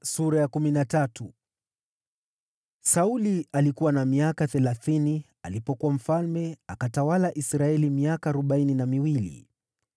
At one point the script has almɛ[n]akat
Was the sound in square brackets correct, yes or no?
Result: no